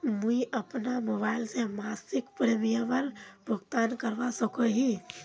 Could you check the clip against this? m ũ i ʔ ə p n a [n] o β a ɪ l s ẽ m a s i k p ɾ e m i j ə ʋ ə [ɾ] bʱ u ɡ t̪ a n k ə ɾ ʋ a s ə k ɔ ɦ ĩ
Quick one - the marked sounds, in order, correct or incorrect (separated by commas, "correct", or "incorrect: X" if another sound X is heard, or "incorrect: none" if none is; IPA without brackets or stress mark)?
incorrect: m, correct